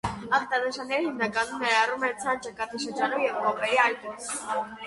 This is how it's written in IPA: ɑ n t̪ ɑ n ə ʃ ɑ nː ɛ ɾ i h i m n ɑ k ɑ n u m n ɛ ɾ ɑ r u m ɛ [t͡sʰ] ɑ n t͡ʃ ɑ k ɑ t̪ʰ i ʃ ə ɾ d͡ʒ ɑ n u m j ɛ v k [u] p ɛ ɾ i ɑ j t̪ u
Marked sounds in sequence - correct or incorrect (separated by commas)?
correct, incorrect